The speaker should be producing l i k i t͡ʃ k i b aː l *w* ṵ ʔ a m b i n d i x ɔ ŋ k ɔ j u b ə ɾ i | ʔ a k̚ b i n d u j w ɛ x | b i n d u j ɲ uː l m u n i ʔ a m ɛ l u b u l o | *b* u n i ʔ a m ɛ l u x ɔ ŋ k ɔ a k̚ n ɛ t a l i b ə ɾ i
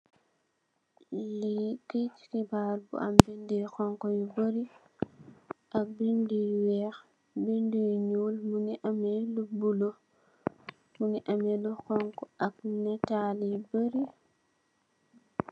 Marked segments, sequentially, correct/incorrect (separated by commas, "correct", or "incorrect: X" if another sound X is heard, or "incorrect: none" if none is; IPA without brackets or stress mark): incorrect: b, incorrect: m